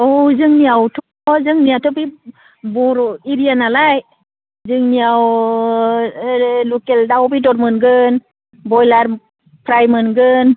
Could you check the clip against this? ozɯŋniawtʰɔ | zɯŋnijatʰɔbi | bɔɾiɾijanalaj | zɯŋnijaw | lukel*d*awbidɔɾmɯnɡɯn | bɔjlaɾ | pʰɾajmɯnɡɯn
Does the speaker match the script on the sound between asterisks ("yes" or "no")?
yes